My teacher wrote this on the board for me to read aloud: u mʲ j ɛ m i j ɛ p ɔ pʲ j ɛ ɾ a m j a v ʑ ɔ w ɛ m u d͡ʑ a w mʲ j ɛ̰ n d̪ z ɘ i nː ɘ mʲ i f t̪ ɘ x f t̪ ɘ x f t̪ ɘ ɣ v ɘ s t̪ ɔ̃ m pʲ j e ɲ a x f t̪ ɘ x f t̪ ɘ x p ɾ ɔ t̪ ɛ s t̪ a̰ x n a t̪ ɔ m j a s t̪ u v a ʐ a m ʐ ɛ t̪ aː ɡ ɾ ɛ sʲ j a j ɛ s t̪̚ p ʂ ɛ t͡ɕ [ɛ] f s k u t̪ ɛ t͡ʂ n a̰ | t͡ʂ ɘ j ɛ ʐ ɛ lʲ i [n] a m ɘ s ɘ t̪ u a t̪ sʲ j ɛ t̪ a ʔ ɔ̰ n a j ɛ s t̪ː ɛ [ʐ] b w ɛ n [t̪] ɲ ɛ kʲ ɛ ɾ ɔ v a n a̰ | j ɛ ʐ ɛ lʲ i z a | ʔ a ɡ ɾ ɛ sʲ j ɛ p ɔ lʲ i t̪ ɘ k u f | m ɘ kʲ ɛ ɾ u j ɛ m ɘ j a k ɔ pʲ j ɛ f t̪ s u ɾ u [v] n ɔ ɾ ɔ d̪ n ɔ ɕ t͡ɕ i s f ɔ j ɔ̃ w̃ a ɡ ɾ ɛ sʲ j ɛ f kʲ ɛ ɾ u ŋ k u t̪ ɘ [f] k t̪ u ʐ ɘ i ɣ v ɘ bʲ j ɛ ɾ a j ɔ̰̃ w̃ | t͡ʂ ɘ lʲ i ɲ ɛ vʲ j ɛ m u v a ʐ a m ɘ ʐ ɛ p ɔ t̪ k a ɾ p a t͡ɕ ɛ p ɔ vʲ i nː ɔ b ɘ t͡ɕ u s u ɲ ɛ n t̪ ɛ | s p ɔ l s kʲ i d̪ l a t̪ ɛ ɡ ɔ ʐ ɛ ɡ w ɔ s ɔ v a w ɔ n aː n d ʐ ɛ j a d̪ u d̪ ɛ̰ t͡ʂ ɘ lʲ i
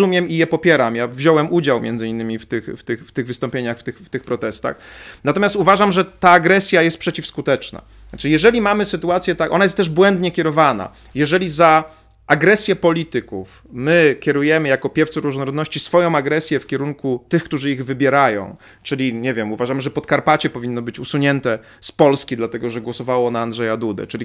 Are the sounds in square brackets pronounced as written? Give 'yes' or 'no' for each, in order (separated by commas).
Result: no, no, yes, no, no, no